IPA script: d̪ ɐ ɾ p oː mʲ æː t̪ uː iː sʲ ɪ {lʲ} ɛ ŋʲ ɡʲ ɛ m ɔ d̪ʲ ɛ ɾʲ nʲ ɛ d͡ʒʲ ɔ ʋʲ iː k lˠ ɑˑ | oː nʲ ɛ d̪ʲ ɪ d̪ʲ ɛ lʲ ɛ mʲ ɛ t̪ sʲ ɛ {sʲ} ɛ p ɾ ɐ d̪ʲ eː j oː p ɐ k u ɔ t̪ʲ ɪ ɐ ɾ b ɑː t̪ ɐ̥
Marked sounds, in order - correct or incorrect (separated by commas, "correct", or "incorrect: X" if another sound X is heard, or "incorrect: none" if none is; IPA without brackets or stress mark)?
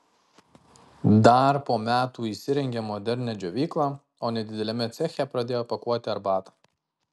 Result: incorrect: ɾʲ, incorrect: xʲ